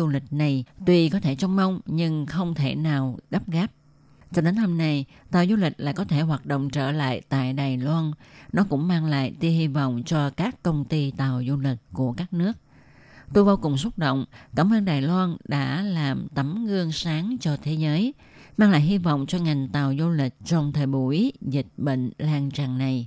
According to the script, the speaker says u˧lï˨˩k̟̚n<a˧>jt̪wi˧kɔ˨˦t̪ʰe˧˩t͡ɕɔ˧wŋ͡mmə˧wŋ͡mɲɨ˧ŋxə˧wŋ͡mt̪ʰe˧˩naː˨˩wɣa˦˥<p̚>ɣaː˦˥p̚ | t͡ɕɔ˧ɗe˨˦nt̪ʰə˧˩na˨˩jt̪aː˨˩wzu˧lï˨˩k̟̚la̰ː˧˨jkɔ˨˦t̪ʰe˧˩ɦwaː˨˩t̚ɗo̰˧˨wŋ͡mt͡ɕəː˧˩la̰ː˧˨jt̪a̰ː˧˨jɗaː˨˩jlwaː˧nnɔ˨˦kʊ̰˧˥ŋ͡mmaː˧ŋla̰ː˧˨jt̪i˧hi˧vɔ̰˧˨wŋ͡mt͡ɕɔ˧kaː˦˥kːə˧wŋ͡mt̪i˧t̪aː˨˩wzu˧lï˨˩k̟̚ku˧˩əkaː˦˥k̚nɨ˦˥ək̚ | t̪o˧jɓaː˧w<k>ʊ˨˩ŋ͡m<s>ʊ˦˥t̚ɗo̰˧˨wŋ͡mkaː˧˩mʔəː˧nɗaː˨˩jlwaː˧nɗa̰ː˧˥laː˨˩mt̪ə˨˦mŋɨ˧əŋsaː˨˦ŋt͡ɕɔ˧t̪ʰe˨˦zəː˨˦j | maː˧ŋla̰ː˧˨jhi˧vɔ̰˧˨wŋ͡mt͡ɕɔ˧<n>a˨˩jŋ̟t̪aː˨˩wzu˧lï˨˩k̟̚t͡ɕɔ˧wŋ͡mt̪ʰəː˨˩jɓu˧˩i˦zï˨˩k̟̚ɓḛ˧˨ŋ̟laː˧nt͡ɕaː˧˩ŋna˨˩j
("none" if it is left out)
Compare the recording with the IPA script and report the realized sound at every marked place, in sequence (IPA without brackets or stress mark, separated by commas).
a˨˩, p̚, k, s, ŋ